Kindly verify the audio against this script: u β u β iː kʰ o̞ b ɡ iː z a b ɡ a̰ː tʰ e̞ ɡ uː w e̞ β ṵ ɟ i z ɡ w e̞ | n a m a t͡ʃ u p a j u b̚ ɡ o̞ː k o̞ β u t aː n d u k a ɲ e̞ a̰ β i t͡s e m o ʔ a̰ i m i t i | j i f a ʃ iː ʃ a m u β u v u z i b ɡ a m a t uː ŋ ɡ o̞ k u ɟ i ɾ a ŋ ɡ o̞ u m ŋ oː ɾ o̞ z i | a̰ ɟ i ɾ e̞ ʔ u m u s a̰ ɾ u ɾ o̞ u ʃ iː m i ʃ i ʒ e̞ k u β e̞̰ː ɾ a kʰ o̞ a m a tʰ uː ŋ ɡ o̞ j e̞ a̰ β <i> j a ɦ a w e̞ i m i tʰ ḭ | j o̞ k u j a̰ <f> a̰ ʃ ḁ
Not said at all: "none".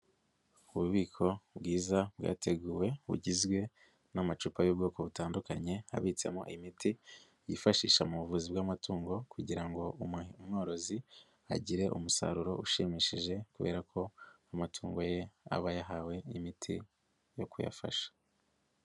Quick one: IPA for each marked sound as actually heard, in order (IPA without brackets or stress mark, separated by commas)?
a, f